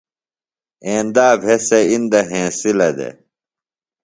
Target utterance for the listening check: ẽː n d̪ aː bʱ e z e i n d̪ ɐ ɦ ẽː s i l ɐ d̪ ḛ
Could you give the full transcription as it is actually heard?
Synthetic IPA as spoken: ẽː n d̪ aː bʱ e s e i n d̪ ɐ ɦ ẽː s i l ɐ d̪ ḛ